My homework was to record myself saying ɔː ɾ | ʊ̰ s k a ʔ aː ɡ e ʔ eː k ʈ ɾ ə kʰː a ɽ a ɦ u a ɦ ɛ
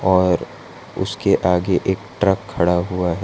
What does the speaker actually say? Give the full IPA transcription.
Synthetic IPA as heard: ɔː ɾ | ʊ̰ s k e ʔ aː ɡ e ʔ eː k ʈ ɾ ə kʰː ɐ ɽ a ɦ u a ɦ ɛ